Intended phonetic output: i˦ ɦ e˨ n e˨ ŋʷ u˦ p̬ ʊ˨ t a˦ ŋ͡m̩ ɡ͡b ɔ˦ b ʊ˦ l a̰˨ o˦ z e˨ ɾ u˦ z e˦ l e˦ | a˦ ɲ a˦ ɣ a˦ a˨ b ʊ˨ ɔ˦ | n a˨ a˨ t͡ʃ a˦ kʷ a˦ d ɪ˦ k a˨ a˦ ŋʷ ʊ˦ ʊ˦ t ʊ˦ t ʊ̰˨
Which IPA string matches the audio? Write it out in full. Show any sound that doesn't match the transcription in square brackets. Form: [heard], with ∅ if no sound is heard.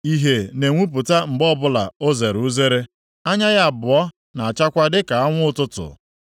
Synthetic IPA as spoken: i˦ ɦ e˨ n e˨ ŋʷ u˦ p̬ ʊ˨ t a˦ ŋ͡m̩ ɡ͡b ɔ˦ b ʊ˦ l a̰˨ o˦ z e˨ ɾ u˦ z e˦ [ɾ] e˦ | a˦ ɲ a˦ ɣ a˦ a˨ b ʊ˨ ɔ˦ | n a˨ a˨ t͡ʃ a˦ kʷ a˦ d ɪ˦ k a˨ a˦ ŋʷ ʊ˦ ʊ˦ t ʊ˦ t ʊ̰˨

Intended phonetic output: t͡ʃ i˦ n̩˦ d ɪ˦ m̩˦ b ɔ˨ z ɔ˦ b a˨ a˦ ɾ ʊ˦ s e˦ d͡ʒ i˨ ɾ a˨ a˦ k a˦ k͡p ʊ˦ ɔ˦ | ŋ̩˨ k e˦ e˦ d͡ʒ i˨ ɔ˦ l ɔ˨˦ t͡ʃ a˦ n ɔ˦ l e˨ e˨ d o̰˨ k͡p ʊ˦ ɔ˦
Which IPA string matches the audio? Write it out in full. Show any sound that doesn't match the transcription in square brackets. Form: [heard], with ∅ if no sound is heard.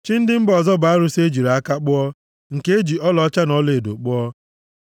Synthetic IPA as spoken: t͡ʃ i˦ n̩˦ d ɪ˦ m̩˦ b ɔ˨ z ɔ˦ b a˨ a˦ ɾ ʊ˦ s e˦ d͡ʒ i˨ ɾ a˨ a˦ k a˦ k͡p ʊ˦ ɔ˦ | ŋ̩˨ k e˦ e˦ d͡ʒ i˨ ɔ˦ l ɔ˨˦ t͡ʃ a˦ n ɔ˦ l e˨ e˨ d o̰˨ k͡p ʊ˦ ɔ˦

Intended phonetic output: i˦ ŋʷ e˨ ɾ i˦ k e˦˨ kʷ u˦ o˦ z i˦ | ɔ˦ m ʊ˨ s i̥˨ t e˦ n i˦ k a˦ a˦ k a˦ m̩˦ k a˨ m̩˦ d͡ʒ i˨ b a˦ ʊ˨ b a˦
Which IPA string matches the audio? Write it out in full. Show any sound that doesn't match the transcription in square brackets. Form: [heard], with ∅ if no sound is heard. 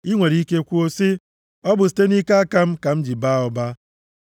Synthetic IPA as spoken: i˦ ŋʷ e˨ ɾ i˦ k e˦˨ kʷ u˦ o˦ [s] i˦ | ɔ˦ [b] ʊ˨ s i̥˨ t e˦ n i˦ k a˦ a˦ k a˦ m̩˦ k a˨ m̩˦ d͡ʒ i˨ b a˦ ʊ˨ b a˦

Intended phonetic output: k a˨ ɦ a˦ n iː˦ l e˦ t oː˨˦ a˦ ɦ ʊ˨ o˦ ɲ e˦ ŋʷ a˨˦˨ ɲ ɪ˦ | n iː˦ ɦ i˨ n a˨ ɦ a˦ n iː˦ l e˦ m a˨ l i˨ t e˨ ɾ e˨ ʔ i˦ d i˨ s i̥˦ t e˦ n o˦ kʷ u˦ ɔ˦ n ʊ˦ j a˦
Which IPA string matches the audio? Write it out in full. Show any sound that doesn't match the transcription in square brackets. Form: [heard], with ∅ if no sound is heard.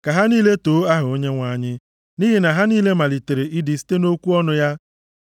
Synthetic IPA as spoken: k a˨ ɦ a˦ n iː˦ l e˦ t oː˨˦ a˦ ɦ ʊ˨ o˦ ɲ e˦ ŋʷ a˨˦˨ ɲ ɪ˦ | n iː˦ ɦ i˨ n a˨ ɦ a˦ n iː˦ l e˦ m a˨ l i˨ t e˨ ɾ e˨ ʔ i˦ d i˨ s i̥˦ t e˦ n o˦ kʷ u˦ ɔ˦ n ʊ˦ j a˦

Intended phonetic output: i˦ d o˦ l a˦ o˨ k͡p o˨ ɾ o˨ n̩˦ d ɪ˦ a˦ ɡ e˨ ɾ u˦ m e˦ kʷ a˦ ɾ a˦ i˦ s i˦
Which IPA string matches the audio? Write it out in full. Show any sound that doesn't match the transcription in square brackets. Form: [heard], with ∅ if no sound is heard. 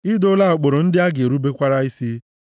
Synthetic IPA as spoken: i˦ d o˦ l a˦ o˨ k͡p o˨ ɾ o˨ n̩˦ d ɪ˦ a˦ ɡ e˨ ɾ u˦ [b] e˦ kʷ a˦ ɾ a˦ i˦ s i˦

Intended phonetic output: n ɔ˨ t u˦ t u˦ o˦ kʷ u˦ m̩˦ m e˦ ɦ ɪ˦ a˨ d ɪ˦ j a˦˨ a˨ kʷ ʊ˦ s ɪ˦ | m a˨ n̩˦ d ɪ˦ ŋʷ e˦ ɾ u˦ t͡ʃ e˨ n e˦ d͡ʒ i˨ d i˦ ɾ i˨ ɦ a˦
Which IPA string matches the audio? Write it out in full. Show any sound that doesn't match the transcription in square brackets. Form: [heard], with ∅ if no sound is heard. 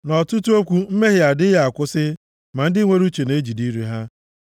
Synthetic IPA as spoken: n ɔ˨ t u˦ t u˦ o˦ kʷ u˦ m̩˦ m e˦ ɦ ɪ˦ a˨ d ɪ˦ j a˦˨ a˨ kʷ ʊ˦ s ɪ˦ | m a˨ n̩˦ d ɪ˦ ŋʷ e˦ ɾ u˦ t͡ʃ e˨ n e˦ d͡ʒ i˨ d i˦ ɾ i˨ ɦ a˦

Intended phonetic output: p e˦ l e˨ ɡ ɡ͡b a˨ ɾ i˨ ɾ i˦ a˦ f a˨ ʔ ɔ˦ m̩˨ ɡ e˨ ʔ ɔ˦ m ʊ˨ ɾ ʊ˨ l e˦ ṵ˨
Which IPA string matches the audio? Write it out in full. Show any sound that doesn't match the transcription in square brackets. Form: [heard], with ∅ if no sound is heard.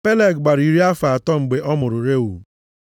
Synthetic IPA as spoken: p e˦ l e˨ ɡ ɡ͡b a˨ ɾ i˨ ɾ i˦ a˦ f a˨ [t] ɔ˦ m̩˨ [ɡ͡b] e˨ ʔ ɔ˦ m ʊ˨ ɾ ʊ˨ [ɾ] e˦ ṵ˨

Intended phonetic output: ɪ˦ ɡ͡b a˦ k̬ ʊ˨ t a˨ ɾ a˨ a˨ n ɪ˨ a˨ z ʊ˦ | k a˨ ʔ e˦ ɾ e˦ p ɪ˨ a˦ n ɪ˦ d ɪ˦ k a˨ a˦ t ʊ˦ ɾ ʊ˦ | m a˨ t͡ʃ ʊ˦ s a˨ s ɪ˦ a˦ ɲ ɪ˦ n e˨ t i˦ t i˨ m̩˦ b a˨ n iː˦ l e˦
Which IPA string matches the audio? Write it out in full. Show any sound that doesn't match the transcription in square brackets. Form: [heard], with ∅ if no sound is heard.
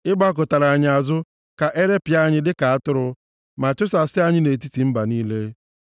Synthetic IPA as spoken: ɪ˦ ɡ͡b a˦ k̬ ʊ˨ t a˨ ɾ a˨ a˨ [ɲ] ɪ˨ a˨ z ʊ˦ | k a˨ ʔ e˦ ɾ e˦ p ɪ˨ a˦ [ɲ] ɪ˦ d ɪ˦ k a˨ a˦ t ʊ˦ ɾ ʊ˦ | m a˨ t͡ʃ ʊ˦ s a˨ s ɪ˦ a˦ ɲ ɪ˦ n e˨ t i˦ t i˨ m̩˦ b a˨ n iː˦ l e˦

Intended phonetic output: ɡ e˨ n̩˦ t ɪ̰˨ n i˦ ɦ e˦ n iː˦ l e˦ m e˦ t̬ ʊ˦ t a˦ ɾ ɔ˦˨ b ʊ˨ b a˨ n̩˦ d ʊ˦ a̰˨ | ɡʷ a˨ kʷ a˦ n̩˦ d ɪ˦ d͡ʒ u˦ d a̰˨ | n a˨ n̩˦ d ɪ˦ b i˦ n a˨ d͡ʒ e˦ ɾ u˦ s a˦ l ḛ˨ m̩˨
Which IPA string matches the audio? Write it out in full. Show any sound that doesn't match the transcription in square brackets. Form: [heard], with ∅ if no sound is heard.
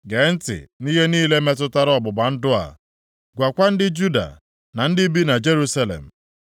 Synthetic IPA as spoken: ɡ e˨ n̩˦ t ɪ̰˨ n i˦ ɦ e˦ n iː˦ l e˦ m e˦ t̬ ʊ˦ t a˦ ɾ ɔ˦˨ b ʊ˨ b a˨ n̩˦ d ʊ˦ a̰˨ | ɡʷ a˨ kʷ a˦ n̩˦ d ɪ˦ d͡ʒ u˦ d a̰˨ | n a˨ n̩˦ d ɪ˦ b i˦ n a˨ d͡ʒ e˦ ɾ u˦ s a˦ l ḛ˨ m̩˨

